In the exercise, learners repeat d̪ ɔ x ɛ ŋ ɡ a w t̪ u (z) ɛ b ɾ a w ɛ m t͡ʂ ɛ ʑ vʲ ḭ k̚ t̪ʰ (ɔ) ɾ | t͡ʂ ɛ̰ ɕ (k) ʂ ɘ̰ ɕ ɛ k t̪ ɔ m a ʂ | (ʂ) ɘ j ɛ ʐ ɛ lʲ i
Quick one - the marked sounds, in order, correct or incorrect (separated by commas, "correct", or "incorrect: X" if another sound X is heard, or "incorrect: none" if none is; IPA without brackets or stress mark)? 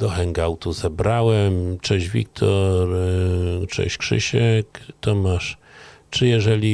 correct, correct, correct, incorrect: t͡ʂ